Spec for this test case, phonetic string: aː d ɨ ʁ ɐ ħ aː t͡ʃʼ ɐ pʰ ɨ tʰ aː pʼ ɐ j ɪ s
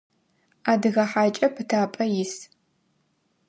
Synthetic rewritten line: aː d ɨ ɣ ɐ ħ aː t͡ʃʼ ɐ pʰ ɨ tʰ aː pʼ ɐ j ɪ s